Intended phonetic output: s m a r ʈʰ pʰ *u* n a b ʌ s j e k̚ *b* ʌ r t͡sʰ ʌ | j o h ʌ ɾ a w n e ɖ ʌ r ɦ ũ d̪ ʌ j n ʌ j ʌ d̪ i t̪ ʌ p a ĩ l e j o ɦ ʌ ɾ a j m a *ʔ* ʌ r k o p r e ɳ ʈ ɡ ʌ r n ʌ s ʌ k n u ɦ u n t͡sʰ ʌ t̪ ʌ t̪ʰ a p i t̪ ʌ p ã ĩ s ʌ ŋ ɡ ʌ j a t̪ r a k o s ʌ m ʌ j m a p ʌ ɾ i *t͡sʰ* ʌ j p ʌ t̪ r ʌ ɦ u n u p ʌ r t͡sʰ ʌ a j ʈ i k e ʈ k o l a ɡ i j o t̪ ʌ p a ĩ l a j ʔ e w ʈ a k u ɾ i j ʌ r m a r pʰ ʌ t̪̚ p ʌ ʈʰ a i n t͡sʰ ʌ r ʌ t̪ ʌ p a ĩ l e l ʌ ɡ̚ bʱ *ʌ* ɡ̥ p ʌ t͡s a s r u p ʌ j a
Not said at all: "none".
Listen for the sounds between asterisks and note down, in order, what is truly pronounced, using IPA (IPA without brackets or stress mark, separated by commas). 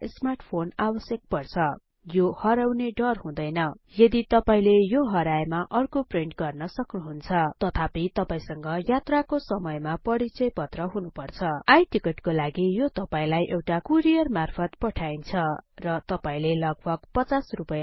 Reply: o, p, ʔ, t͡s, ʌ